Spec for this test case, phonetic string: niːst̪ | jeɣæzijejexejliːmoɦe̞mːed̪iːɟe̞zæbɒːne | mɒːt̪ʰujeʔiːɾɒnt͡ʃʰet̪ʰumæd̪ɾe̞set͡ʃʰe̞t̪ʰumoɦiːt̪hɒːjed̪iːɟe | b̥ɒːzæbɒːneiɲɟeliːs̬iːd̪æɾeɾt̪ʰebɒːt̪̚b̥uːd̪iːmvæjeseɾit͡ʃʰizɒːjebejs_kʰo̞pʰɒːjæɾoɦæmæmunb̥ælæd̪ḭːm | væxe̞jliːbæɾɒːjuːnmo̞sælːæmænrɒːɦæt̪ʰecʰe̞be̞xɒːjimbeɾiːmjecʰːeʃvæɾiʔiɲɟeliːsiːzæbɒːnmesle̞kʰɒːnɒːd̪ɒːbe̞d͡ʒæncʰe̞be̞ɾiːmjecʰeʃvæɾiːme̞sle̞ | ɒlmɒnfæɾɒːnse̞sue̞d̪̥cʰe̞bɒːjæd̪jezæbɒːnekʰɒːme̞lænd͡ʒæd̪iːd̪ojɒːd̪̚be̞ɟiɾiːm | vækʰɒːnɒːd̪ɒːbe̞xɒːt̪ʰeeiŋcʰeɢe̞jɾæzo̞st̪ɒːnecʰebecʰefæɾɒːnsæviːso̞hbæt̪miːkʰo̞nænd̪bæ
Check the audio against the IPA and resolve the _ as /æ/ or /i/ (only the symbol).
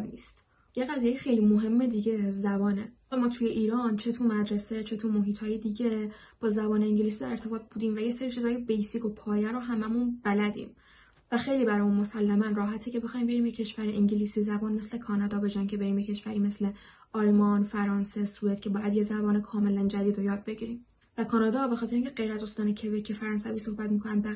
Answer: i